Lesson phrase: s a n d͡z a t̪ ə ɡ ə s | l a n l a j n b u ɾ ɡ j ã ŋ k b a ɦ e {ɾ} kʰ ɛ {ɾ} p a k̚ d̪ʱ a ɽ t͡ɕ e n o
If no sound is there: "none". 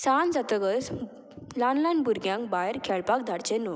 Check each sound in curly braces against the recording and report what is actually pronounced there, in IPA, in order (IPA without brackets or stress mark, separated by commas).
ɾ, ɭ